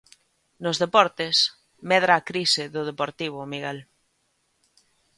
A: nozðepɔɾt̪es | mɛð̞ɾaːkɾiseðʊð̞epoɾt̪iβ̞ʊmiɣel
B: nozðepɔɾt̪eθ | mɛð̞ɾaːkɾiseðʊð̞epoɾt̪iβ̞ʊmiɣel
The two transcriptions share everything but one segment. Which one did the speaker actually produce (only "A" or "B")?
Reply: A